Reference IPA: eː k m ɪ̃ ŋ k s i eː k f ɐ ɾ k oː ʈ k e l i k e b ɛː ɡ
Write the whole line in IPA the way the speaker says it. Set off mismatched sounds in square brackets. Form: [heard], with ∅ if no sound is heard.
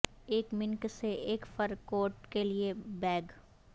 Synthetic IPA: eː k m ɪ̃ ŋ k s [e] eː k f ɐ ɾ k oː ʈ k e l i [∅] e b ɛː ɡ